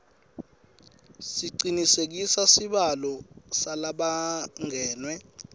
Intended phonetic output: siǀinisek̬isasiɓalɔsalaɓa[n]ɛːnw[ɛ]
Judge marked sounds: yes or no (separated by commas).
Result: no, yes